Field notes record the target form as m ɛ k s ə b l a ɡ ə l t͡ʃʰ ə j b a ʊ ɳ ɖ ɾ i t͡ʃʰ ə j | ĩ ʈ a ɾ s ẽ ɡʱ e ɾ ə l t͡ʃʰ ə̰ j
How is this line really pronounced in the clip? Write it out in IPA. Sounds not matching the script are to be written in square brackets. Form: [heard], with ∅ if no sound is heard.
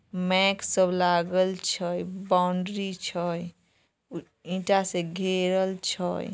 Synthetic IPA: m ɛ k s ə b l a ɡ ə l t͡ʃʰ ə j b a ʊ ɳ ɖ ɾ i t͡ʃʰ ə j | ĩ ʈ a [∅] s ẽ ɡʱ e ɾ ə l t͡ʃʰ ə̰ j